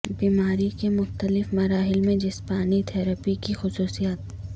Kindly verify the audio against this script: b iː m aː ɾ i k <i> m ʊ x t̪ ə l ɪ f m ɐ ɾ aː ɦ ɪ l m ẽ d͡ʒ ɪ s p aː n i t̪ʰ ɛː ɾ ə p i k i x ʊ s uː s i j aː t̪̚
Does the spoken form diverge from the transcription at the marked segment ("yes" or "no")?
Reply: yes